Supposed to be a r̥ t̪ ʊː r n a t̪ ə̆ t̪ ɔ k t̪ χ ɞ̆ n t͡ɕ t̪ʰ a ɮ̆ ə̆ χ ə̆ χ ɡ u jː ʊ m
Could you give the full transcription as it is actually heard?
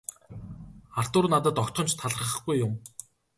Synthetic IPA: a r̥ t̪ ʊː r n a t̪ ə̆ t̪ ɔ k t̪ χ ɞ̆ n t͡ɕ t̪ʰ a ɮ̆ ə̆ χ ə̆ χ ɡ u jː ʊ m